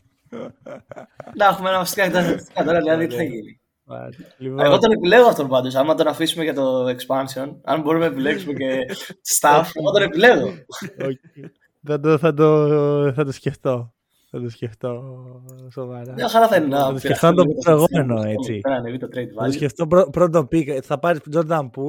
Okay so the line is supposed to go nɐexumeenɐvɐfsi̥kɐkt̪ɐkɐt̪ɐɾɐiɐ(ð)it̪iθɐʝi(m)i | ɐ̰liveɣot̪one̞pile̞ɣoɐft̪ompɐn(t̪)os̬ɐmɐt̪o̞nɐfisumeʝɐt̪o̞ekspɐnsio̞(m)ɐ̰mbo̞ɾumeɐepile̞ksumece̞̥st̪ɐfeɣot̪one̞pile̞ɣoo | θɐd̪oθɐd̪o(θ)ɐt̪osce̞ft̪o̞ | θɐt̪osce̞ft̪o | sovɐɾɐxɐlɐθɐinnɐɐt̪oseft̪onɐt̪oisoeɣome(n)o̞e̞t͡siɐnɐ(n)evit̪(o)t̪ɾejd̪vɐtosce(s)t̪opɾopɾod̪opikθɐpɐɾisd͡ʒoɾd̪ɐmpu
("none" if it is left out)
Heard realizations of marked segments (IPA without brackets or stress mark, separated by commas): ð, n, d̪, n, θ, n, n, o, f